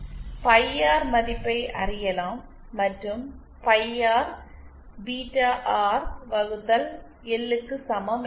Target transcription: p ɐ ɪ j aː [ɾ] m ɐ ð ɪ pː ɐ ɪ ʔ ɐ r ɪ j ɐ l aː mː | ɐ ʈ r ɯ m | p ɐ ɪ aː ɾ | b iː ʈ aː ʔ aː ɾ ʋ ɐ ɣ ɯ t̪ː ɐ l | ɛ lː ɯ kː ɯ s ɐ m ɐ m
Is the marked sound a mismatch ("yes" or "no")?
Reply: no